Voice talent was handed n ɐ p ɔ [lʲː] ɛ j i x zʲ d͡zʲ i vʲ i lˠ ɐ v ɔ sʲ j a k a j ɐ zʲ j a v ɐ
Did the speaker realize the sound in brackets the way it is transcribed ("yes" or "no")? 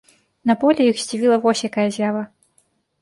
no